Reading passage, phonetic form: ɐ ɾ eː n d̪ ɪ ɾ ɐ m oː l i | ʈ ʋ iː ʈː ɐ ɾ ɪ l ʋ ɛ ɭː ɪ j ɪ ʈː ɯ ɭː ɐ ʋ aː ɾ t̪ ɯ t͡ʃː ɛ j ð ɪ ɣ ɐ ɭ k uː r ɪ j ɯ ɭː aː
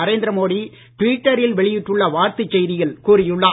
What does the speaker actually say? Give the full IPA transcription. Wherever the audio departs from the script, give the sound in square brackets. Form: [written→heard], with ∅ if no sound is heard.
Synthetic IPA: ɐ ɾ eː n d̪ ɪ ɾ ɐ m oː [l→ɽ] i | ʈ ʋ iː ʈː ɐ ɾ ɪ l ʋ ɛ [ɭː→ɭ] ɪ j ɪ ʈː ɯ ɭː ɐ ʋ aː ɾ t̪ ɯ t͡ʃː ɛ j ð ɪ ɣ ɐ ɭ k uː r ɪ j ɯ ɭː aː